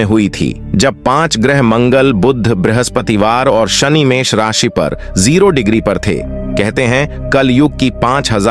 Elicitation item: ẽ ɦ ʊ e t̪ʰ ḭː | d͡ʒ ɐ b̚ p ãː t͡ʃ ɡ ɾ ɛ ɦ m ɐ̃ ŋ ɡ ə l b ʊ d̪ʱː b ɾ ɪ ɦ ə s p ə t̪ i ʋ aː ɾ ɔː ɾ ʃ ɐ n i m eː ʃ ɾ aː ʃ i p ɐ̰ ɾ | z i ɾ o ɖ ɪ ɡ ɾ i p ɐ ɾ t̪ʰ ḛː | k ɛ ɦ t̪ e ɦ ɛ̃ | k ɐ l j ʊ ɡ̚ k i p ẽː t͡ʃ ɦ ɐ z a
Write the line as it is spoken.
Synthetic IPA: ẽ ɦ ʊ i t̪ʰ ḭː | d͡ʒ ɐ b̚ p ãː t͡ʃ ɡ ɾ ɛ ɦ m ɐ̃ ŋ ɡ ə l b ʊ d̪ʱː b ɾ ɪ ɦ ə s p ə t̪ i ʋ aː ɾ ɔː ɾ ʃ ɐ n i m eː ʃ ɾ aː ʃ i p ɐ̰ ɾ | z iː ɾ o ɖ ɪ ɡ ɾ i p ɐ ɾ t̪ʰ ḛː | k ɛ ɦ t̪ e ɦ ɛ̃ | k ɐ l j ʊ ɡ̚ k i p ãː t͡ʃ ɦ ɐ z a